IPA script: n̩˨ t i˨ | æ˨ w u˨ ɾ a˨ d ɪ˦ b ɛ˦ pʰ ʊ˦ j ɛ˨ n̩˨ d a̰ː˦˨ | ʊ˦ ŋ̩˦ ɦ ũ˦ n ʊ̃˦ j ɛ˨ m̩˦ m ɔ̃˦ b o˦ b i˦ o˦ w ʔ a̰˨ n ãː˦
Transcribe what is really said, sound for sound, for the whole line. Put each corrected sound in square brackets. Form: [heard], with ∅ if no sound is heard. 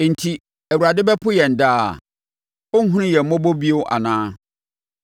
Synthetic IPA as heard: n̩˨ [tʰ] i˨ | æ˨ w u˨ ɾ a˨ d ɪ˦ b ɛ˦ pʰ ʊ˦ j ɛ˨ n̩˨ d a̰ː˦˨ | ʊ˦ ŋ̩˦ ɦ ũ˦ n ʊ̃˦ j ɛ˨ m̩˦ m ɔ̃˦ b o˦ b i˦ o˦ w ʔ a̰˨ n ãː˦